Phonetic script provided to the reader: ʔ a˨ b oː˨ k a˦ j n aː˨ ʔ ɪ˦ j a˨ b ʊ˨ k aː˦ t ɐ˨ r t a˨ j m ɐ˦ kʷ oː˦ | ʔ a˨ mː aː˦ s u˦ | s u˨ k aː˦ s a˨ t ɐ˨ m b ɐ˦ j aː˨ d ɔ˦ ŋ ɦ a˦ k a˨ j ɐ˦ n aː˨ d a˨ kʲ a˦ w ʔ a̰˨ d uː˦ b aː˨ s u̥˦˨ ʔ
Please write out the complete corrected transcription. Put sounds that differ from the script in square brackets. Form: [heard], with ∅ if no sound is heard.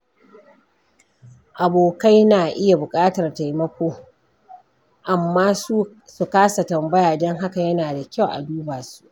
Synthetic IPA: ʔ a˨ b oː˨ k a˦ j n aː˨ ʔ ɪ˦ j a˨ b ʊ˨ [kʼ] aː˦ t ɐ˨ r t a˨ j m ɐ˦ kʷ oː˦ | ʔ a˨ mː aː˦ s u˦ | s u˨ k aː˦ s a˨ t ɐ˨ m b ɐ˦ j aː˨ d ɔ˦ ŋ ɦ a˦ k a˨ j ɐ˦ n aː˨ d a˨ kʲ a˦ w ʔ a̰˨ d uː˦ b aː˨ s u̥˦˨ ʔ